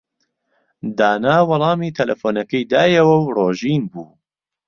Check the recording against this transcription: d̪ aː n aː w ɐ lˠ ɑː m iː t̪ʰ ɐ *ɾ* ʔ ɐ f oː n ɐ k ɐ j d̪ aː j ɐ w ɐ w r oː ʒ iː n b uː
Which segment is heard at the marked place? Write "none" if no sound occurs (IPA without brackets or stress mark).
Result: l